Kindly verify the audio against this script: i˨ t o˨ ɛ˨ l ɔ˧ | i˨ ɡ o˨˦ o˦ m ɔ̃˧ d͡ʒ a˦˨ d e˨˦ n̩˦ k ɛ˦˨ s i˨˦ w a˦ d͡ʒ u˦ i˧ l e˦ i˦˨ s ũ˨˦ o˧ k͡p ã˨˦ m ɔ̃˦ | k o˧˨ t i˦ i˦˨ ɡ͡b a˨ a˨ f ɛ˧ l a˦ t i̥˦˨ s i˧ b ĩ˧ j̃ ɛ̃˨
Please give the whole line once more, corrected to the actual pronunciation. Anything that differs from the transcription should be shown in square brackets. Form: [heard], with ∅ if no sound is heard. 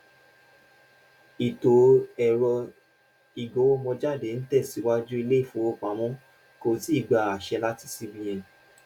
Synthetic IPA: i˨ t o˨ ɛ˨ [ɾ] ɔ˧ | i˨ ɡ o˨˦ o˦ m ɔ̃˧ d͡ʒ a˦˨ d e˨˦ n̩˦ [t] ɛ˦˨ s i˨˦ w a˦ d͡ʒ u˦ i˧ l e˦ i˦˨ [f] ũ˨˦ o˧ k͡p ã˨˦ m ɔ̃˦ | k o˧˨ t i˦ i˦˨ ɡ͡b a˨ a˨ [ʃ] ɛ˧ l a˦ t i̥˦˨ s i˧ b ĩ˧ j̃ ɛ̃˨